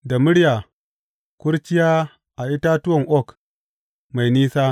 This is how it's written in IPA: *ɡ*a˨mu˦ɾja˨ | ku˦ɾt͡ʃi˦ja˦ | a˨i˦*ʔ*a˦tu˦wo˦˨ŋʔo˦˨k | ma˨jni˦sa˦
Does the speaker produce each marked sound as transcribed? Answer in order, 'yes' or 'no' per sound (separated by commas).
no, no